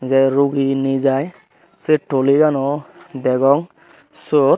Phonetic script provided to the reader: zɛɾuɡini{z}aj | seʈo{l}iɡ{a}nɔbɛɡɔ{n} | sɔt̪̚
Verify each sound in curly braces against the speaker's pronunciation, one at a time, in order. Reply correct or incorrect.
correct, correct, correct, incorrect: ŋ

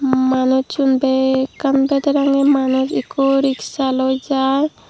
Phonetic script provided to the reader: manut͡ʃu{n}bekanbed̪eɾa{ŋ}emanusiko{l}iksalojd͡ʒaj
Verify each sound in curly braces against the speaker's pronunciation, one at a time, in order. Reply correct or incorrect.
correct, correct, incorrect: ɾ

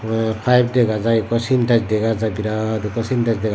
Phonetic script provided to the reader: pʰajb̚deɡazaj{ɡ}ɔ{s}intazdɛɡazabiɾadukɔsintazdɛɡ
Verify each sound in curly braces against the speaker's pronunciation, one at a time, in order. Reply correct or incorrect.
incorrect: k, correct

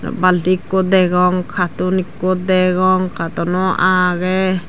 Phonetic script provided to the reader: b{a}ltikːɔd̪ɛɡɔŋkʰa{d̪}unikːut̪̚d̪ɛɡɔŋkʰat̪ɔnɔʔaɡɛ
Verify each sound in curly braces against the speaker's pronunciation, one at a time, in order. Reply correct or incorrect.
correct, incorrect: t̪

